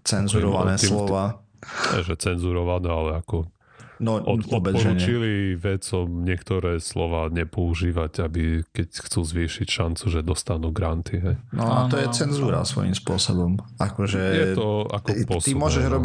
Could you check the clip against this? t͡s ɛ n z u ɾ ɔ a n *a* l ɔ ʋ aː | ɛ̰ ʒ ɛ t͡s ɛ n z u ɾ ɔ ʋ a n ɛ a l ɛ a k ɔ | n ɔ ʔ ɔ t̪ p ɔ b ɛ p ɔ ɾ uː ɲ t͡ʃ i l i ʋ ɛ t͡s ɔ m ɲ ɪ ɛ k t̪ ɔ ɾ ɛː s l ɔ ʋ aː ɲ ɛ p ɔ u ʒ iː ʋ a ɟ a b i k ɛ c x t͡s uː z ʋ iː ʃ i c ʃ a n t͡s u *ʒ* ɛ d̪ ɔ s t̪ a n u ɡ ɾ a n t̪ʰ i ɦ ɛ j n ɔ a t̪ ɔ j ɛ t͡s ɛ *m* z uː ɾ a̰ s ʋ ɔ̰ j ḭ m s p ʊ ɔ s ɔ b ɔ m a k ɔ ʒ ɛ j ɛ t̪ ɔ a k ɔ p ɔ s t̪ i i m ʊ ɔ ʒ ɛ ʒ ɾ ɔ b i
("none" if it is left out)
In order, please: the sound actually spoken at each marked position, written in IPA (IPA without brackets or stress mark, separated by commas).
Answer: ɛ, ʒ, n